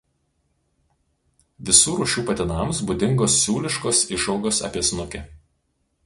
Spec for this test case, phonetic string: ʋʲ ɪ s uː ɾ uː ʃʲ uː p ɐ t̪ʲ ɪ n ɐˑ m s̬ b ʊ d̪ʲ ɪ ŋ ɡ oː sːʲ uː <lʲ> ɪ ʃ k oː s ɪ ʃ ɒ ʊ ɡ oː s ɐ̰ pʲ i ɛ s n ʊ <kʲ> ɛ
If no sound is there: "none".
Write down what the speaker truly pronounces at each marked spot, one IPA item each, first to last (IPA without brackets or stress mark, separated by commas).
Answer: lʲ, kʲ